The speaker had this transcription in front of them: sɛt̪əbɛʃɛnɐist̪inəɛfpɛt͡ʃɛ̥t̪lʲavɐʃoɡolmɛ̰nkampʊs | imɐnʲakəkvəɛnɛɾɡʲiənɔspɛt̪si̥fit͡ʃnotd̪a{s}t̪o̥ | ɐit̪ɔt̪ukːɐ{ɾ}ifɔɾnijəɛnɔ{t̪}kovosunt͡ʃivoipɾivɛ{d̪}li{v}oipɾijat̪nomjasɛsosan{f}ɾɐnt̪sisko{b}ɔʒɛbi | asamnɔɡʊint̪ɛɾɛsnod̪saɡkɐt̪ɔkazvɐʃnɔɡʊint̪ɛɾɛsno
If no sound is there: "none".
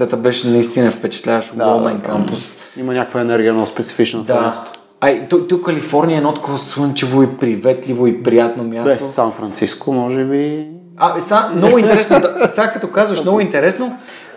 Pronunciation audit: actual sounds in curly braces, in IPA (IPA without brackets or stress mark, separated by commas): s, l, t̪, t̪, v, f, m